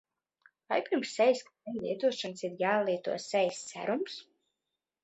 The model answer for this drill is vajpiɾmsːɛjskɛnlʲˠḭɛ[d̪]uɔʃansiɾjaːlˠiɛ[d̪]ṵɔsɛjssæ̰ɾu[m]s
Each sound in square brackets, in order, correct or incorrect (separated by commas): incorrect, incorrect, correct